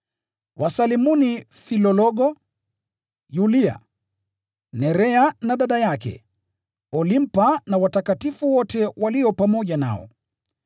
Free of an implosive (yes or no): no